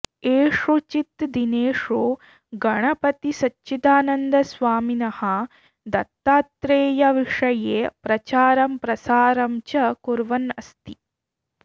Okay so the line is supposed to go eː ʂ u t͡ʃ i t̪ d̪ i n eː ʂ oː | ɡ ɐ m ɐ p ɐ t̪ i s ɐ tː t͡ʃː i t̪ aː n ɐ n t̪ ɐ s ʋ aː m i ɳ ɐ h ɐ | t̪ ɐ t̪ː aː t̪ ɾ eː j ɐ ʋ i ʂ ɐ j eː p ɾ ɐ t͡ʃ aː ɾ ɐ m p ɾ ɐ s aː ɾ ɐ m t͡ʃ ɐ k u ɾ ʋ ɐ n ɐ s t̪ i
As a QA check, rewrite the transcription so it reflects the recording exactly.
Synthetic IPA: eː ʂ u t͡ʃ i t̪ d̪ i n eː ʂ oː | ɡ ɐ ɳ ɐ p ɐ t̪ i s ɐ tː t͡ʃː i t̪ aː n ɐ n d̪ ɐ s ʋ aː m i n ɐ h ɐ | d̪ ɐ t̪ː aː t̪ ɾ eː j ɐ ʋ i ʂ ɐ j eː p ɾ ɐ t͡ʃ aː ɾ ɐ m p ɾ ɐ s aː ɾ ɐ m t͡ʃ ɐ k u ɾ ʋ ɐ n ɐ s t̪ i

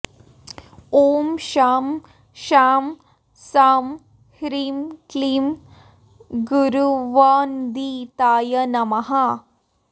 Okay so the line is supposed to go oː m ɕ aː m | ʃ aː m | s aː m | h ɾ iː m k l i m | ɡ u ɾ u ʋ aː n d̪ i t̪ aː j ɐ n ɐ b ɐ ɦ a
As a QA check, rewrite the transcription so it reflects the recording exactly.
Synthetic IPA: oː m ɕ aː m | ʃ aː m | s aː m | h ɾ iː m k l i m | ɡ u ɾ u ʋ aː n d̪ i t̪ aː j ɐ n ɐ m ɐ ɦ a

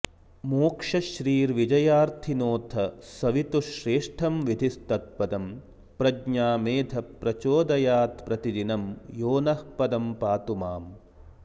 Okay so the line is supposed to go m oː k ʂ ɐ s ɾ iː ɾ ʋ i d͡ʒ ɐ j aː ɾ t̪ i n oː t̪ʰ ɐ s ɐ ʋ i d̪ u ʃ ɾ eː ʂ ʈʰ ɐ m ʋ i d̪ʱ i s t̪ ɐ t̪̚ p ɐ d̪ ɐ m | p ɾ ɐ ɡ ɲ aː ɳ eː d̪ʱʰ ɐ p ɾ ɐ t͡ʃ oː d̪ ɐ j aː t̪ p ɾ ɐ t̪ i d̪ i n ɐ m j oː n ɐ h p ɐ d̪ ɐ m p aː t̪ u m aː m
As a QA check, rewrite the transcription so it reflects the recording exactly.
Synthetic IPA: m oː k ʂ ɐ ʃ ɾ iː ɾ ʋ i d͡ʒ ɐ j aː ɾ t̪ʰ i n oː t̪ʰ ɐ s ɐ ʋ i t̪ u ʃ ɾ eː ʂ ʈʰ ɐ m ʋ i d̪ʱ i s t̪ ɐ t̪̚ p ɐ d̪ ɐ m | p ɾ ɐ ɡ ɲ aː m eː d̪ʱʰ ɐ p ɾ ɐ t͡ʃ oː d̪ ɐ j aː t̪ p ɾ ɐ t̪ i d̪ i n ɐ m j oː n ɐ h p ɐ d̪ ɐ m p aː t̪ u m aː m

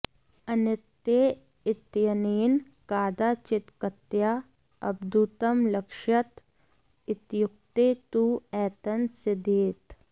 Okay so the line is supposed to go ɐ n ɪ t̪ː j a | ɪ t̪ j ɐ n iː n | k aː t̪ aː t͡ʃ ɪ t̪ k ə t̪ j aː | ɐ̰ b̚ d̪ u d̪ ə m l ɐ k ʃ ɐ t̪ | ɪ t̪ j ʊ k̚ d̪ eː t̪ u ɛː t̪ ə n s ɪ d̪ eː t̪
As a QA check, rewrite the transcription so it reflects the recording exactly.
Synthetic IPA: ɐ n ɪ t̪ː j e | ɪ t̪ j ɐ n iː n | k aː d̪ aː t͡ʃ ɪ t̪ k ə t̪ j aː | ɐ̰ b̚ d̪ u t̪ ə m l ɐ k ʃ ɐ t̪ | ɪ t̪ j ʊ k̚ t̪ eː t̪ u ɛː t̪ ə n s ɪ d̪ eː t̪

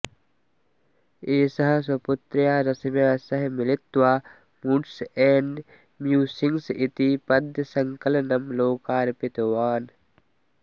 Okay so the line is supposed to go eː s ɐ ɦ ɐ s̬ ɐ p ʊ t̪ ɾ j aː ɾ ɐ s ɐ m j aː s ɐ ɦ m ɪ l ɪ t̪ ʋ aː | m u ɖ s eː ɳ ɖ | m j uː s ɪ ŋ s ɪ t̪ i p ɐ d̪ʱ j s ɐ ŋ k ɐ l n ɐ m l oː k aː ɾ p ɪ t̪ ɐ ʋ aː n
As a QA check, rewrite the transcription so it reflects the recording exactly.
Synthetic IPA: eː s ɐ ɦ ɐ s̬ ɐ p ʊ t̪ ɾ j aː ɾ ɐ s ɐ m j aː s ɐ ɦ m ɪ l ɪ t̪ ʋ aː | m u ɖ s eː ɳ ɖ | m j uː s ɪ ŋ s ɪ t̪ i p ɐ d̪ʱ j s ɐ ŋ k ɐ l n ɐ m l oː k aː ɾ p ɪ t̪ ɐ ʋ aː n

